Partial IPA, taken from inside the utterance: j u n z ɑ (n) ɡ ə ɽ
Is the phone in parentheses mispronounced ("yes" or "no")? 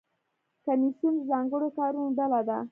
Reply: yes